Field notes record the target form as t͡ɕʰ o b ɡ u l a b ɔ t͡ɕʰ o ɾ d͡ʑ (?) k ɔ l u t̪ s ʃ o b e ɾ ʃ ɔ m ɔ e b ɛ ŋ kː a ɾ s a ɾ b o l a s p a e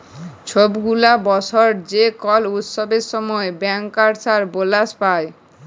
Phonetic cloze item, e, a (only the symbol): e